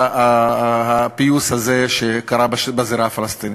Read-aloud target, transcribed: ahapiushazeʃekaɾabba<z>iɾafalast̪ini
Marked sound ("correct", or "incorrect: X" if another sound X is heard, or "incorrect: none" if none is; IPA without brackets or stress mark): correct